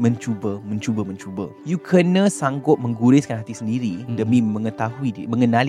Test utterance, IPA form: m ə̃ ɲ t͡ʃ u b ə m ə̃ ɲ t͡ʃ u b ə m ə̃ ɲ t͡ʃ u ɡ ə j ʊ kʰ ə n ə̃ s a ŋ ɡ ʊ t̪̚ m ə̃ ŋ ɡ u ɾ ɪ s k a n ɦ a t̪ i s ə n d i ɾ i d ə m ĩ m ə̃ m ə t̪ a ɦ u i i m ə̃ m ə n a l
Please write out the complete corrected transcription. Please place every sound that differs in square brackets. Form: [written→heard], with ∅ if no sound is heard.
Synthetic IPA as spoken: m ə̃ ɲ t͡ʃ u b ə m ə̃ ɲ t͡ʃ u b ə m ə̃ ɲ t͡ʃ u [ɡ→b] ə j [ʊ→u] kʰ ə n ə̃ s a ŋ ɡ ʊ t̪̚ m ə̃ ŋ ɡ u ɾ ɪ s k a n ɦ a t̪ i s ə n d i ɾ i d ə m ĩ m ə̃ [m→ŋ] ə t̪ a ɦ u i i m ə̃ [m→ŋ] ə n a l